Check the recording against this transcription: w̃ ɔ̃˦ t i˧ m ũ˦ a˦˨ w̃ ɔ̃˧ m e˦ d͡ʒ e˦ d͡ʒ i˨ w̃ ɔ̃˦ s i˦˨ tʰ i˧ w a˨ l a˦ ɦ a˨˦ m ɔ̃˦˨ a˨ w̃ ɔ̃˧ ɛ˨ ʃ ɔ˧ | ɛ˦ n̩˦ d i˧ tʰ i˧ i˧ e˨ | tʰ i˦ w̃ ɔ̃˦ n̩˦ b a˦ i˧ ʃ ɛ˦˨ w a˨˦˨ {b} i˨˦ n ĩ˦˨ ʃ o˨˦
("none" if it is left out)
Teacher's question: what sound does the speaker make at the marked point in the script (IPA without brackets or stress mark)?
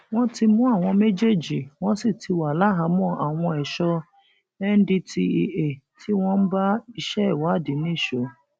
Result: d